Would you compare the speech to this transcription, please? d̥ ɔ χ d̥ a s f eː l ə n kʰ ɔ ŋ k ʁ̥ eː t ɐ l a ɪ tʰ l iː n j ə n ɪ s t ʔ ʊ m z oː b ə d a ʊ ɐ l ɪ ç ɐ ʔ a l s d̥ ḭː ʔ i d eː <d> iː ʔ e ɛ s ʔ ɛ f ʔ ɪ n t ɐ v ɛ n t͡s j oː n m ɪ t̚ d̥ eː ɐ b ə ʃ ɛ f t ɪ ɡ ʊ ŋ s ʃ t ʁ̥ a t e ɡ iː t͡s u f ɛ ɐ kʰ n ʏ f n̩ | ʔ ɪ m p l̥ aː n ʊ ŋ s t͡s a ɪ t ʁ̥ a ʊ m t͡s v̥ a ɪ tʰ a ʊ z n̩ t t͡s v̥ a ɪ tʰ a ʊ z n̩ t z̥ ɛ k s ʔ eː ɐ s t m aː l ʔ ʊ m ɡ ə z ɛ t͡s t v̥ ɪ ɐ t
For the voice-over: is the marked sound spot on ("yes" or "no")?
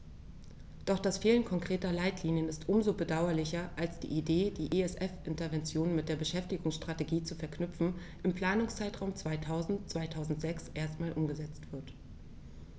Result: yes